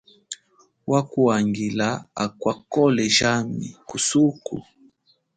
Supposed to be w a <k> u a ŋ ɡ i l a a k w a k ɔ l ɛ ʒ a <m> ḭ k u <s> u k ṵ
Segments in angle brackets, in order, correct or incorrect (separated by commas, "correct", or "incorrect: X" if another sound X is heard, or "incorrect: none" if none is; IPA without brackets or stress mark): correct, correct, correct